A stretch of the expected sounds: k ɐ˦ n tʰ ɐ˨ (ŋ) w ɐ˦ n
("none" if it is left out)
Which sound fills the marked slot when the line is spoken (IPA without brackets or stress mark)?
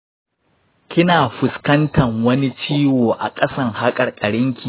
ŋ